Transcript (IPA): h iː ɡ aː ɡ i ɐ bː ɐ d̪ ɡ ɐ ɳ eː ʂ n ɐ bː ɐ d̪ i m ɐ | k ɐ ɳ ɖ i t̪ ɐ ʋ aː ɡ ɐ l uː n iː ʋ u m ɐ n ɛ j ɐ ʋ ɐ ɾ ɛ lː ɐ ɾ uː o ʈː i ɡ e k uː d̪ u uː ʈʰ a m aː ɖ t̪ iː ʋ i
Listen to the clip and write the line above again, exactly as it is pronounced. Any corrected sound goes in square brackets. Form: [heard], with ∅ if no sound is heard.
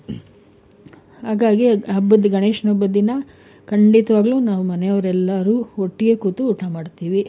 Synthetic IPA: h [aː] ɡ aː ɡ i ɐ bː ɐ d̪ ɡ ɐ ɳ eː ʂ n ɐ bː ɐ d̪ i [n] ɐ | k ɐ ɳ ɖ i t̪ ɐ ʋ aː ɡ ɐ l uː n [aː] ʋ u m ɐ n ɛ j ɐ ʋ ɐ ɾ ɛ lː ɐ ɾ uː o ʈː i ɡ e k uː [t̪] u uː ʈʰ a m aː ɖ t̪ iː ʋ i